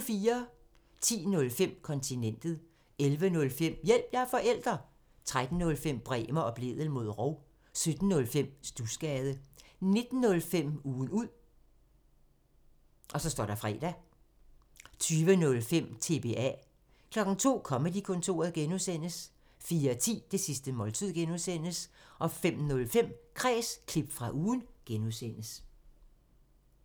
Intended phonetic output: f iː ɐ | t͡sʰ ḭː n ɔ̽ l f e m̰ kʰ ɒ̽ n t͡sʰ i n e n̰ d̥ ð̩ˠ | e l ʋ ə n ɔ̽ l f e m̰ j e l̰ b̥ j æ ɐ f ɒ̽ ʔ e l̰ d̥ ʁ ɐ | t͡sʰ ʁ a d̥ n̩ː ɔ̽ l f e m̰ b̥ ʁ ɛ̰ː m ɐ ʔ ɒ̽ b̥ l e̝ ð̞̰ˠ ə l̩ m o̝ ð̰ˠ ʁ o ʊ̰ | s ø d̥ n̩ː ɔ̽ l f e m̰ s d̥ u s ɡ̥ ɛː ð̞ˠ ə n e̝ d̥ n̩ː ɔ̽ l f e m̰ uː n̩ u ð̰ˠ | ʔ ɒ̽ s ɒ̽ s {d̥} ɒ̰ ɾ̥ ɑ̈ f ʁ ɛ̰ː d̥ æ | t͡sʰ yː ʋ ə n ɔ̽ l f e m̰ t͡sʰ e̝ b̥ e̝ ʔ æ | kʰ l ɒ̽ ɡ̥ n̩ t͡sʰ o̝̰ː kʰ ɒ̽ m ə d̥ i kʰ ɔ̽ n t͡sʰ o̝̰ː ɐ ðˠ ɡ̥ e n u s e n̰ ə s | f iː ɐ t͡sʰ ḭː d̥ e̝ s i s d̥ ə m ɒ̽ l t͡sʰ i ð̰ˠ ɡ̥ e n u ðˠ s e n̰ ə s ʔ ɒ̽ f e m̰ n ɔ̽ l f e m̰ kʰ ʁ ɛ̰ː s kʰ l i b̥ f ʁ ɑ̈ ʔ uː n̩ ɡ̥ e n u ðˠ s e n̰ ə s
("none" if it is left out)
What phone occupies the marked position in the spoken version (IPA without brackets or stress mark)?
d̥